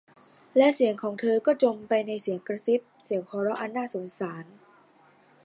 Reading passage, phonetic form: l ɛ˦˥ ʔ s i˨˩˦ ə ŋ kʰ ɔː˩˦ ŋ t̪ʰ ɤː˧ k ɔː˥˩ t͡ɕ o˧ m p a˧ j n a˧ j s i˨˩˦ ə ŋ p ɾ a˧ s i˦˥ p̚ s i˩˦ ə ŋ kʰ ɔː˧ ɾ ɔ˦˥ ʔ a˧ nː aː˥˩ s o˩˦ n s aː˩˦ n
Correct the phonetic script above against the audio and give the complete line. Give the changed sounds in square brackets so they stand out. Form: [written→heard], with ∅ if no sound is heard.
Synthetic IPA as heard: l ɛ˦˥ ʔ s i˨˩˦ ə ŋ kʰ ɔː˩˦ ŋ t̪ʰ ɤː˧ k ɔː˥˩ t͡ɕ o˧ m p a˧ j n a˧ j s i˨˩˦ ə ŋ [p→k] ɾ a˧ s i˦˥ p̚ s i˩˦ ə ŋ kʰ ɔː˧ ɾ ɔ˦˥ ʔ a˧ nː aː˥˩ s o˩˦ n s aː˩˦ n